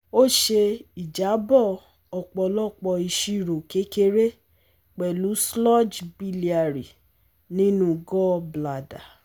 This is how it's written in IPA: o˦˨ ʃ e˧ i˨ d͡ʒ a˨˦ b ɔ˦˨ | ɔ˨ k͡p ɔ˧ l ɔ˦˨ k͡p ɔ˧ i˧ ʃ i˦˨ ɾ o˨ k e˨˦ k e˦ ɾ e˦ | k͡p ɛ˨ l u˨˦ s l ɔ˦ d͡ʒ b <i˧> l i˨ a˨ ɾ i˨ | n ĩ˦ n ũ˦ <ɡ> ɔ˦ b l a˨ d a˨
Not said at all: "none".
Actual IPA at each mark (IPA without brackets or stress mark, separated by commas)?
i˧, ɡ